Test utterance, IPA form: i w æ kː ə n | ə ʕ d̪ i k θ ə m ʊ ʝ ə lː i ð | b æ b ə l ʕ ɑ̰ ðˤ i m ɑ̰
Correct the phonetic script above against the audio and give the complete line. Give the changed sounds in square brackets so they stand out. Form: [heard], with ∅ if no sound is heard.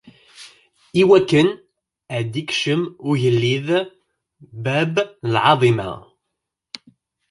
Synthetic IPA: i w æ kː ə n | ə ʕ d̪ i k [ʃ] ə m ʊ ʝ ə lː i ð | b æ b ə l ʕ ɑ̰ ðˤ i m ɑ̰